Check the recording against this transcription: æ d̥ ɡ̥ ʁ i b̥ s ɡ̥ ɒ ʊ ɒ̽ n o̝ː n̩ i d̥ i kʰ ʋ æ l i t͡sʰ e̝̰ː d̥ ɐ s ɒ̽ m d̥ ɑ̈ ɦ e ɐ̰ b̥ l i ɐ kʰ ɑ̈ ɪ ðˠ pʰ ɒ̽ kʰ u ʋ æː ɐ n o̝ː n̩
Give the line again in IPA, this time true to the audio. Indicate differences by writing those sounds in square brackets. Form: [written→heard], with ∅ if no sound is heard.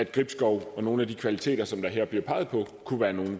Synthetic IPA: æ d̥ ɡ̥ ʁ i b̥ s ɡ̥ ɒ ʊ ɒ̽ n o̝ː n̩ [i→æ] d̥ i kʰ ʋ æ l i t͡sʰ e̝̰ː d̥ ɐ s ɒ̽ m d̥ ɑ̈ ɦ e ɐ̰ b̥ l i ɐ [kʰ→pʰ] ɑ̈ ɪ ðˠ pʰ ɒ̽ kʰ u ʋ æː ɐ n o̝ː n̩